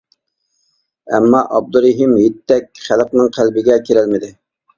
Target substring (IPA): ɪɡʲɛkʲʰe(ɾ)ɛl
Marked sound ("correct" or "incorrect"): correct